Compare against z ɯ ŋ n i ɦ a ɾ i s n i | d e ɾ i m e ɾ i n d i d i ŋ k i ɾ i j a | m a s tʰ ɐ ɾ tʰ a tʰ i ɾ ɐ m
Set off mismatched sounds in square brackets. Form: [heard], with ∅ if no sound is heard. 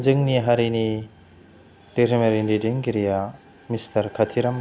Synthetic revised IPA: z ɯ ŋ n i ɦ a ɾ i [∅] n i | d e ɾ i m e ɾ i n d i d i ŋ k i ɾ i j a | m [i] s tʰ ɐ ɾ [kʰ] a tʰ i ɾ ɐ m